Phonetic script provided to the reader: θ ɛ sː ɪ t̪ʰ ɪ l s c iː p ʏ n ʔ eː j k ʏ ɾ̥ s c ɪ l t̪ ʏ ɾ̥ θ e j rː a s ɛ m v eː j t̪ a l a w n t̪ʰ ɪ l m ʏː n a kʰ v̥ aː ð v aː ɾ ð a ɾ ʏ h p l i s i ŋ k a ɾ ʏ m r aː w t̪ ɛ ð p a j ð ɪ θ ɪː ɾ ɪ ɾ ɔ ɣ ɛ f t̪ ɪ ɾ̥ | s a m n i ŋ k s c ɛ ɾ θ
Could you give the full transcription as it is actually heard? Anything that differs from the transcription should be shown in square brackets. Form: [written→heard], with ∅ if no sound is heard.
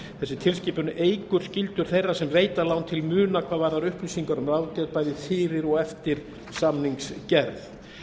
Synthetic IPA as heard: θ ɛ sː ɪ t̪ʰ ɪ l s c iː p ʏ n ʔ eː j k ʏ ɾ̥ s c ɪ l t̪ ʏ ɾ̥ θ e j rː a s ɛ m v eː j t̪ a l a w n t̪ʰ ɪ l m ʏː n a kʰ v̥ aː ð v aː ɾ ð a ɾ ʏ h p l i s i ŋ k a ɾ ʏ m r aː w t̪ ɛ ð p a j ð ɪ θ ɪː ɾ ɪ ɾ ɔ ɣ ɛ f t̪ ɪ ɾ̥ | s a m n i ŋ k s c ɛ ɾ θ